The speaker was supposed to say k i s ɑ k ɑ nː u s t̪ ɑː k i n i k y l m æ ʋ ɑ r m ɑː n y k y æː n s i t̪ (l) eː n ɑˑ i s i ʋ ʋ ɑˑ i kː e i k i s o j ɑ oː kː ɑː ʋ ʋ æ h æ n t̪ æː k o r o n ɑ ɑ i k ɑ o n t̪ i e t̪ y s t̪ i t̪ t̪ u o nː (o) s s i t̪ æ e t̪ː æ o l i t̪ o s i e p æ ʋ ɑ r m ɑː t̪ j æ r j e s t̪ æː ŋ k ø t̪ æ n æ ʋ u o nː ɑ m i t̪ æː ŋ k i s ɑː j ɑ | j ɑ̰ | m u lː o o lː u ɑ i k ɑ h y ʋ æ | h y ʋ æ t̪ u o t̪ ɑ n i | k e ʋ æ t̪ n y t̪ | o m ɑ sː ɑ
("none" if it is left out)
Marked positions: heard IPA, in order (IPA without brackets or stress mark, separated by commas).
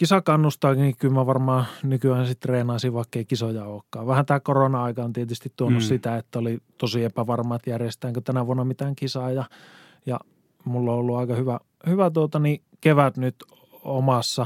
r, u